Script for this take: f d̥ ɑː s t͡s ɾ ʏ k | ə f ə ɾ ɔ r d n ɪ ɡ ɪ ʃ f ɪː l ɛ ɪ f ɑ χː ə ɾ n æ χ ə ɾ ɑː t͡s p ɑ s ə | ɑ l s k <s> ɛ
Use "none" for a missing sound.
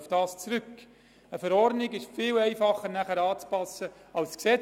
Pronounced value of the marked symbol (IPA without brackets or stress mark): s